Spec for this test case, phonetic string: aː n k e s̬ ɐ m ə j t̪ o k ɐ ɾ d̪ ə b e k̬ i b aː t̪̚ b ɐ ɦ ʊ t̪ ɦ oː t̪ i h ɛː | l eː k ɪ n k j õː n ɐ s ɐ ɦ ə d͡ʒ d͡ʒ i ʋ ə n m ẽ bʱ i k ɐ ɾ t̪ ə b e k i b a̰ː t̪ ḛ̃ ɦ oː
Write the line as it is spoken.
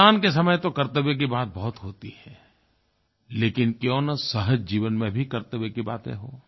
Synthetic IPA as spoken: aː n k e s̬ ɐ m ə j t̪ o k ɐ ɾ t̪ ə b e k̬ i b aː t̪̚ b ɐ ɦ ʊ t̪ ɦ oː t̪ i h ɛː | l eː k ɪ n k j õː n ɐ s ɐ ɦ ə d͡ʒ d͡ʒ iː ʋ ə n m ẽ bʱ i k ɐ ɾ t̪ ə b e k i b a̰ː t̪ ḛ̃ ɦ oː

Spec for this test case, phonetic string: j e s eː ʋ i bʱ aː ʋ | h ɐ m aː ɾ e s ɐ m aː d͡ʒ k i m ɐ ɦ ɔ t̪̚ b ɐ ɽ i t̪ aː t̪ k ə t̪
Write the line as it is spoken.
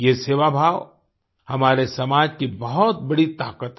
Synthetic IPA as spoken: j e s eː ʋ a bʱ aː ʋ | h ɐ m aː ɾ e s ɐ m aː d͡ʒ k i b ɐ ɦ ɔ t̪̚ b ɐ ɽ i t̪ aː k ə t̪

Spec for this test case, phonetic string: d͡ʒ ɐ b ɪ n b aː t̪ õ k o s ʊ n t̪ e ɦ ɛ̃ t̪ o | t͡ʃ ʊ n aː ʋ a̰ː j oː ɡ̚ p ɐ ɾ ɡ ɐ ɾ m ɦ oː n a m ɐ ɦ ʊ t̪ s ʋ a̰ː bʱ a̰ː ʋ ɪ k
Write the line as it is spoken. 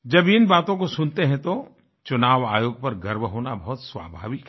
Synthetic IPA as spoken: d͡ʒ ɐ b ɪ n b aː t̪ õ k o s ʊ n t̪ e ɦ ɛ̃ t̪ o | t͡ʃ ʊ n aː ʋ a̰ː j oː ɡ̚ p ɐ ɾ ɡ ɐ ɾ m ɦ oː n a b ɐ ɦ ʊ t̪ s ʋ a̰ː bʱ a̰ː ʋ ɪ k

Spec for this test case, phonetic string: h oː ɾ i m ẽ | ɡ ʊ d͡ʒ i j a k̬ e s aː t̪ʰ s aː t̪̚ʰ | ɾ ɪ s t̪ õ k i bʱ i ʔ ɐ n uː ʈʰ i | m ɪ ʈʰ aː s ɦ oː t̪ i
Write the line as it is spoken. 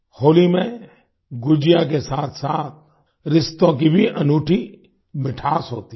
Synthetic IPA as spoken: h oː l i m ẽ | ɡ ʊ d͡ʒ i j a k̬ e s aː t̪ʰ s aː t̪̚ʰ | ɾ ɪ s t̪ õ k i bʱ i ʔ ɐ n uː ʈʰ i | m ɪ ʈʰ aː s ɦ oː t̪ i

